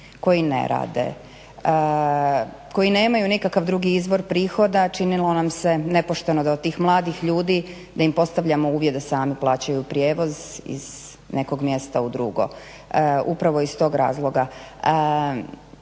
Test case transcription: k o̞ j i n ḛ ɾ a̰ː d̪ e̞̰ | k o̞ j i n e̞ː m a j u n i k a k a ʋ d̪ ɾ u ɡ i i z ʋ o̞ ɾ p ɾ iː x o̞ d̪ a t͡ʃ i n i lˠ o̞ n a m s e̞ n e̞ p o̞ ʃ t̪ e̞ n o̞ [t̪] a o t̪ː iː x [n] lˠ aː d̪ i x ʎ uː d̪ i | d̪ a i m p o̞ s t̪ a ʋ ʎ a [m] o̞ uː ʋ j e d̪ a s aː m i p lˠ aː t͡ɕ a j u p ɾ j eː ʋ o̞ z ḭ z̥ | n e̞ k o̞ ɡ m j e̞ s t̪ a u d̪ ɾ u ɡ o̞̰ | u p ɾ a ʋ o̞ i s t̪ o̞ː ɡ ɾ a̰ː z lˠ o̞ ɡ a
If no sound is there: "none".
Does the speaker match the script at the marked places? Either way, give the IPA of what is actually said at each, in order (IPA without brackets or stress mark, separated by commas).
d̪, m, m